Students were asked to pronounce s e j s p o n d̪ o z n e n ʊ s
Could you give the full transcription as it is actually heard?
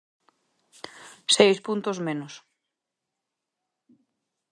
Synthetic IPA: s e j s p u n t̪ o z m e n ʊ s